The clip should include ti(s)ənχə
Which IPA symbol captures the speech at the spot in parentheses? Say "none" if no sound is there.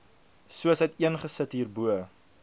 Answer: none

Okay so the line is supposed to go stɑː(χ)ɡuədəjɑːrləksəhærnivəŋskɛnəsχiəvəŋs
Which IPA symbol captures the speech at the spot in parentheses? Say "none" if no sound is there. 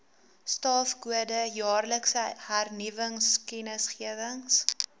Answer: f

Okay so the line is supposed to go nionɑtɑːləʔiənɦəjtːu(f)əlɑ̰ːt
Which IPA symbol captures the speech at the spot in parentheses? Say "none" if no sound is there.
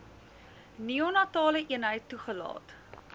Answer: χ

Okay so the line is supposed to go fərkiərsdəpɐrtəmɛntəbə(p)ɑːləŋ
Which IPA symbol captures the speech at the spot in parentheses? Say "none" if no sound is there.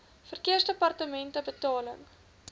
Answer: t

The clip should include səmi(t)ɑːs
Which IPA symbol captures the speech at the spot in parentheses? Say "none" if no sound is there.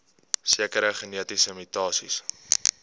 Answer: t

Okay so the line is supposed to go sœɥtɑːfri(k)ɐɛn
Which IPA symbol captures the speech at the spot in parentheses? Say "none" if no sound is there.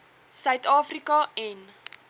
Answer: k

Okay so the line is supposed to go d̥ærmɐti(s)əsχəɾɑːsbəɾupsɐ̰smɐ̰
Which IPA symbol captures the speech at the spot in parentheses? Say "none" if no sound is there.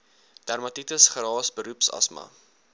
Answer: t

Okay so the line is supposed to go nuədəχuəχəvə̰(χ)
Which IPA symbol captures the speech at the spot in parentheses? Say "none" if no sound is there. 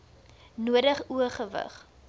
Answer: χ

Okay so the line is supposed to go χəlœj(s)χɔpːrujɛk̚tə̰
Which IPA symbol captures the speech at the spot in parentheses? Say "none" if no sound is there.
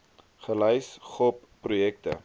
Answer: s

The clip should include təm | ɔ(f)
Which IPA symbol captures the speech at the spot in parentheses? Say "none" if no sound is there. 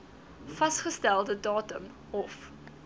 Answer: f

